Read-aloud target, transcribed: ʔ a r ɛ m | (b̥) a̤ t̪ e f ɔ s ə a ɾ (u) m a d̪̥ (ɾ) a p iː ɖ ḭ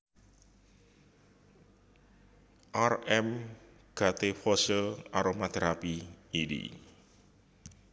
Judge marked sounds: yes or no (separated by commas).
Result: no, no, yes